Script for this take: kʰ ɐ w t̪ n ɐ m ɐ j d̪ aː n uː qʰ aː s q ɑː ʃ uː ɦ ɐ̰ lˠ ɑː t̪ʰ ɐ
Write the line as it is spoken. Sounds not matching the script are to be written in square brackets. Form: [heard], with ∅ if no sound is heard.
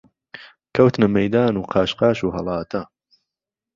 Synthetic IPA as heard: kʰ ɐ w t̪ n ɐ m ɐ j d̪ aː n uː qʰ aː [ʃ] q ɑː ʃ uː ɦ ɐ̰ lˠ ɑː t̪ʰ ɐ